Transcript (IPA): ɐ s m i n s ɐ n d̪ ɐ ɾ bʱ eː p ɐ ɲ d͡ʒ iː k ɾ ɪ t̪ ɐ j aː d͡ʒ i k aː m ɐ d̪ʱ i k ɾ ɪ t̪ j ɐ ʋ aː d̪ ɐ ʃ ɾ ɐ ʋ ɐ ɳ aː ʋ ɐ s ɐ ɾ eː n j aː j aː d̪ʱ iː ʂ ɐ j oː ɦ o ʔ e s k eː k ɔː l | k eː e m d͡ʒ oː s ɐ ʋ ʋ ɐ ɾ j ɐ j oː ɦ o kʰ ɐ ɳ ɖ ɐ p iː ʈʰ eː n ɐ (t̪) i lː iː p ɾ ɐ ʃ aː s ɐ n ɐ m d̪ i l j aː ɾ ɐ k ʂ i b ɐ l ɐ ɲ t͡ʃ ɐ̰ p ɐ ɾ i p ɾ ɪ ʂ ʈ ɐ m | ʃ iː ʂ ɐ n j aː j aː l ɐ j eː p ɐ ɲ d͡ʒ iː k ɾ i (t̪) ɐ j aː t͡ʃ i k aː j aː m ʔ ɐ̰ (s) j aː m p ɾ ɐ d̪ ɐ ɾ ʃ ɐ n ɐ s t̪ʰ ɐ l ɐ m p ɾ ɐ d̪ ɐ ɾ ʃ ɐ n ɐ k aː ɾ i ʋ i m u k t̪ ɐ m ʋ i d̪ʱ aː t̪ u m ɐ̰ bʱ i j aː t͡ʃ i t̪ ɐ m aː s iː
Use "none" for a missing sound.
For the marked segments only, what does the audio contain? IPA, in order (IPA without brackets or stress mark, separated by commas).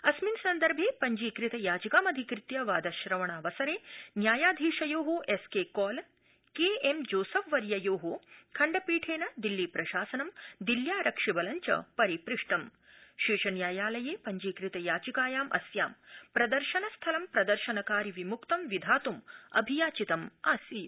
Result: d̪, t̪, s